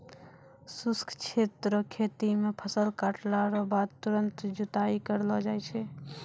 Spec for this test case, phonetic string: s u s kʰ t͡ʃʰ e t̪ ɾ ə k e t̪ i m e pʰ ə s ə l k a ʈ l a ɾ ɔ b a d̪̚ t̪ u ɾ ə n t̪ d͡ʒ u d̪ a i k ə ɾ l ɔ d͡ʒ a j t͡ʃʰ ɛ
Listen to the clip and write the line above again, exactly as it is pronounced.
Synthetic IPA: s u s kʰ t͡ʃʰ e t̪ ɾ ə kʰ e t̪ i m e pʰ ə s ə l k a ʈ l a ɾ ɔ b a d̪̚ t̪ u ɾ ə n t̪ d͡ʒ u t̪ a i k ə ɾ l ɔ d͡ʒ a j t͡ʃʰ ɛ

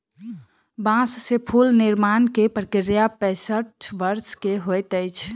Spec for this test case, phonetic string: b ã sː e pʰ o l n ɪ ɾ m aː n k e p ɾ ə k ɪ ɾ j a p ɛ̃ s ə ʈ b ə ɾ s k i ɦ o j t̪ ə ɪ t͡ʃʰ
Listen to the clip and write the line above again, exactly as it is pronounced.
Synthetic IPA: b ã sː e pʰ u l n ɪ ɾ m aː n k e p ɾ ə k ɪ ɾ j a p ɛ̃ s ə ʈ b ə ɾ s k e ɦ o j t̪ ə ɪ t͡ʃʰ

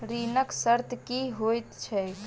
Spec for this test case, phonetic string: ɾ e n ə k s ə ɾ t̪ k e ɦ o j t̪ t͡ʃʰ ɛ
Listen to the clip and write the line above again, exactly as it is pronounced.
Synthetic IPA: ɾ i n ə k s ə ɾ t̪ k i ɦ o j t̪ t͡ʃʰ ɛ

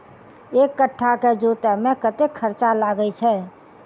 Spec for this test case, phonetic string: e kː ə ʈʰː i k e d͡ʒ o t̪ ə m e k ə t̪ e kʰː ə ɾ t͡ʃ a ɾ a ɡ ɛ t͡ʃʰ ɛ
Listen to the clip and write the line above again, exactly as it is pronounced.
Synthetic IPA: e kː ə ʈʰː a k e d͡ʒ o t̪ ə m e k ə t̪ e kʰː ə ɾ t͡ʃ a l a ɡ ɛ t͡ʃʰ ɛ

